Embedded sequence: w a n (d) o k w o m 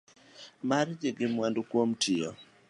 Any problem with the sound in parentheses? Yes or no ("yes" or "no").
no